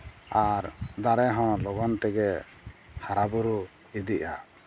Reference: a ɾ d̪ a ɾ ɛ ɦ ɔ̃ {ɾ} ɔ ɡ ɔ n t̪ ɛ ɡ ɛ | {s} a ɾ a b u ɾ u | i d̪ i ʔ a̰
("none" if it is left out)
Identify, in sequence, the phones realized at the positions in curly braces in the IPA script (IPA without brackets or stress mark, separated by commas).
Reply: l, h